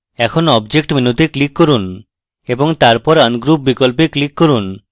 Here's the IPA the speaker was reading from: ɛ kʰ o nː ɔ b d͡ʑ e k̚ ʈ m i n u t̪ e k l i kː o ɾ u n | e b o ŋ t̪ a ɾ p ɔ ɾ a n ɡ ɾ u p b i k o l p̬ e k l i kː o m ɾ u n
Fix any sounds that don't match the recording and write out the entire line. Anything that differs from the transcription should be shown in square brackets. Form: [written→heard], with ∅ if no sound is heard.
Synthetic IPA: ɛ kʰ o [nː→n] ɔ b d͡ʑ e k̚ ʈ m i n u t̪ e k l i kː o ɾ u n | e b o ŋ t̪ a ɾ p ɔ ɾ a n ɡ ɾ u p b i k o l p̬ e k l i kː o [m→∅] ɾ u n